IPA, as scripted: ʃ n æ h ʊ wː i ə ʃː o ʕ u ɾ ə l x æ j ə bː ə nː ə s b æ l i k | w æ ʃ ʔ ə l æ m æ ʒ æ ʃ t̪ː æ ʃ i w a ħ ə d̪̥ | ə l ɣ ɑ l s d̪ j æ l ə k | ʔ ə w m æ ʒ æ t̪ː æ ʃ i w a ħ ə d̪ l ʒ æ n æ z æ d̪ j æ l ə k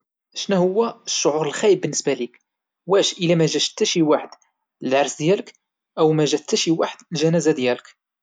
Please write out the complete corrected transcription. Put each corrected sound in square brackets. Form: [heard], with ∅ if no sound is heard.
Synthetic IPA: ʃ n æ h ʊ wː [æ] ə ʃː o ʕ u ɾ ə l x æ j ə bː ə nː ə s b æ l i k | w æ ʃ ʔ ə l æ m æ ʒ æ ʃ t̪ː æ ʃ i w a ħ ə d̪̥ | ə l [ʕ] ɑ [ɾ] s d̪ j æ l ə k | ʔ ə w m æ ʒ æ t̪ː æ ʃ i w a ħ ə d̪ l ʒ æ n æ z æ d̪ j æ l ə k

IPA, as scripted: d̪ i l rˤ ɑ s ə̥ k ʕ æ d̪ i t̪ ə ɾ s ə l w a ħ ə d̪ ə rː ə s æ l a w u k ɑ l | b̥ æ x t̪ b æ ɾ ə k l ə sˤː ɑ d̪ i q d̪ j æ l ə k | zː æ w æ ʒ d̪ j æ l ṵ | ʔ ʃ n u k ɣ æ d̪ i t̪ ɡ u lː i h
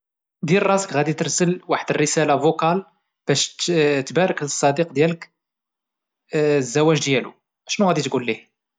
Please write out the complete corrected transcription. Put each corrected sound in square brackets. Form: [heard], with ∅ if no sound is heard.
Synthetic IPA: d̪ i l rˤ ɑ s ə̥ k [ɣ] æ d̪ i t̪ ə ɾ s ə l w a ħ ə d̪ ə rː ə s æ l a [v] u k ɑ l | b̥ æ [ʃ] t̪ b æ ɾ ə k l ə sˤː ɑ d̪ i q d̪ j æ l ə k | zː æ w æ ʒ d̪ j æ l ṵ | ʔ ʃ n u [∅] ɣ æ d̪ i t̪ ɡ u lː i h

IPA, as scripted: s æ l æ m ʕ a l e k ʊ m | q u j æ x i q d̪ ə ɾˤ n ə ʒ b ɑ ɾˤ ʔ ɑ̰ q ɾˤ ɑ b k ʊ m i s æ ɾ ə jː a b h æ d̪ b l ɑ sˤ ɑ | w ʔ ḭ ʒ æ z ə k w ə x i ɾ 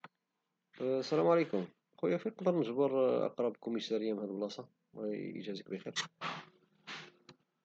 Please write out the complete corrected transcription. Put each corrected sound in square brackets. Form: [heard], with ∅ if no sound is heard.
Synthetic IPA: s æ l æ m ʕ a l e k ʊ m | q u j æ [f] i q d̪ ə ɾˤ n ə ʒ b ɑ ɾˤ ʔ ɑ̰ q ɾˤ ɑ b k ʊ m i s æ ɾ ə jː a [m] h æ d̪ b l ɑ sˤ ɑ | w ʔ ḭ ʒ æ z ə k [b] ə x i ɾ

